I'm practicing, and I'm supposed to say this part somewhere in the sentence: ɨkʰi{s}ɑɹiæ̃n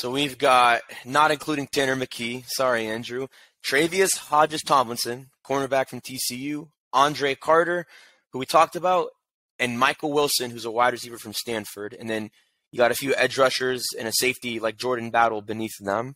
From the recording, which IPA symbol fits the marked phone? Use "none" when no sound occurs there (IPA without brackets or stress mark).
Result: s